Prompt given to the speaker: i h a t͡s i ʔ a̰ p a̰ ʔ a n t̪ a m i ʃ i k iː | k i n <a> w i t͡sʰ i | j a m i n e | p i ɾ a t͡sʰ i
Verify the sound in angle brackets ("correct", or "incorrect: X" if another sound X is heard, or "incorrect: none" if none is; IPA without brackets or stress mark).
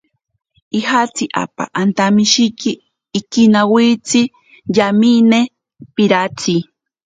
correct